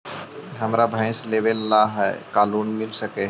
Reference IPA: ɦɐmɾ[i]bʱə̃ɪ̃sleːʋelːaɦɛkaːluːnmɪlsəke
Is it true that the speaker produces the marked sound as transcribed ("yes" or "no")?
no